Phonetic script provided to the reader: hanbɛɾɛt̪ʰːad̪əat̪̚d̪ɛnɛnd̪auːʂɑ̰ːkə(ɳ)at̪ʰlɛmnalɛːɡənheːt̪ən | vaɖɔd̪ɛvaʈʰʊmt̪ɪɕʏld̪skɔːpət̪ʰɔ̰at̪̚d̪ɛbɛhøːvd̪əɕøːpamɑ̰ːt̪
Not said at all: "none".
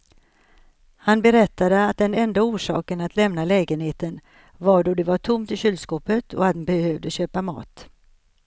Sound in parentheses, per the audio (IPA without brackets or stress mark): n